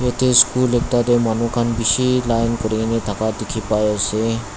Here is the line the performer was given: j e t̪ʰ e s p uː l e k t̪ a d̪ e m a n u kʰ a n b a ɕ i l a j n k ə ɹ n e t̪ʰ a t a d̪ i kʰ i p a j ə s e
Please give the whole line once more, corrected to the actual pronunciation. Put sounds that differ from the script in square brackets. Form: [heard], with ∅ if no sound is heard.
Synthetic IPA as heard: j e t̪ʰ e s [k] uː l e k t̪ a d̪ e m a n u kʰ a n b [i] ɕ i l a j n k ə [ɾ] n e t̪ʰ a [k] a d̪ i kʰ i p a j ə s e